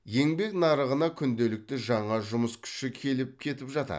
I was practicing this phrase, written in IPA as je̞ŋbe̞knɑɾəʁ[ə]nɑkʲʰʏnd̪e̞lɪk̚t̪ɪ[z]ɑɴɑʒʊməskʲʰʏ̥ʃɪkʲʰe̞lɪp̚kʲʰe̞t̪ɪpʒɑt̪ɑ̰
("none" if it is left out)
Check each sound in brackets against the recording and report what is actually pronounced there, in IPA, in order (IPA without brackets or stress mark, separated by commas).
ə, ʒ